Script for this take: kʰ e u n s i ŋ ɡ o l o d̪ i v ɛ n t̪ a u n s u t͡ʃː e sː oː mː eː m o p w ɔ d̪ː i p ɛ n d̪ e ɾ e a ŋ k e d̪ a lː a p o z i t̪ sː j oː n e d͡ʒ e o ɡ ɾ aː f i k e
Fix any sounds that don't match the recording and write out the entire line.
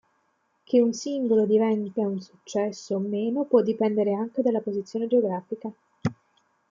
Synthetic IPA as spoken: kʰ e u n s i ŋ ɡ o l o d̪ i v ɛ n t̪ a u n s u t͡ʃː ɛ sː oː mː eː n o p w ɔ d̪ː i p ɛ n d̪ e ɾ e a ŋ k e d̪ a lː a p o z i t̪ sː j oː n e d͡ʒ e o ɡ ɾ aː f i k a